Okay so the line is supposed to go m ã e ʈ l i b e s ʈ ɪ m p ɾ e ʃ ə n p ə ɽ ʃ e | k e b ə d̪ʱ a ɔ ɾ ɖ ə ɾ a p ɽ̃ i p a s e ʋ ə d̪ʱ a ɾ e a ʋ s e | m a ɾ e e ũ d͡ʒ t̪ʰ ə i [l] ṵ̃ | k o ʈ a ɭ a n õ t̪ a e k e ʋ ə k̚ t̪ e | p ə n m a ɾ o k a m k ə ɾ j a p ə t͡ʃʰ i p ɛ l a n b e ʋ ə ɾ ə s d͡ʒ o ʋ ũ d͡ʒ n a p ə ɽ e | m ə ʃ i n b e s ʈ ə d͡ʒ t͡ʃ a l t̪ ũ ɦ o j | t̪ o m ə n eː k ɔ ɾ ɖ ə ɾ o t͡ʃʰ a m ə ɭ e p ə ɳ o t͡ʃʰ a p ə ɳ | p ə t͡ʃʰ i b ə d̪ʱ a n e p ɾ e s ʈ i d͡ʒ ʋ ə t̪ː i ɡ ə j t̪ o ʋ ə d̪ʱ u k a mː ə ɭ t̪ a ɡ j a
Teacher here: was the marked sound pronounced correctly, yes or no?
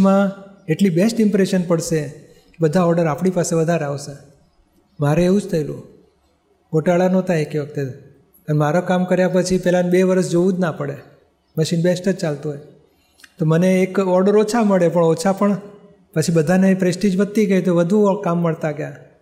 yes